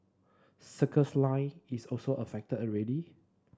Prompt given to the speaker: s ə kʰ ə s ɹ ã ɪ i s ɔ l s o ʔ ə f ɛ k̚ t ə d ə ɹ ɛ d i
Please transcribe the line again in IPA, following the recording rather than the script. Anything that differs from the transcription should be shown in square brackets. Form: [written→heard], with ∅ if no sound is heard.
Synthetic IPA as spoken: s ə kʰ ə s [ɹ→l] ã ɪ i s ɔ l s o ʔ ə f ɛ k̚ t ə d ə ɹ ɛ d i